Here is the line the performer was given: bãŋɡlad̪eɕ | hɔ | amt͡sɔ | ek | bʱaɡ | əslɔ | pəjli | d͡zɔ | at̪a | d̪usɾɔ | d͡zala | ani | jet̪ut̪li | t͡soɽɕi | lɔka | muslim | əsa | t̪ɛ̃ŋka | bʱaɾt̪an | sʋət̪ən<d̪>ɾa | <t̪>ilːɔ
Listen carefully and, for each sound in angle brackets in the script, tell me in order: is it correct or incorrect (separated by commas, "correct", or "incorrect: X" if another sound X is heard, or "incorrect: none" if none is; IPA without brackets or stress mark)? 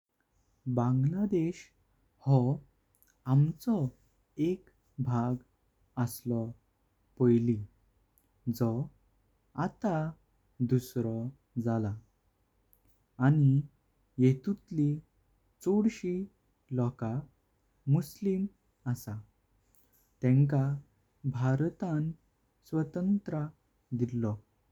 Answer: incorrect: t̪, incorrect: d̪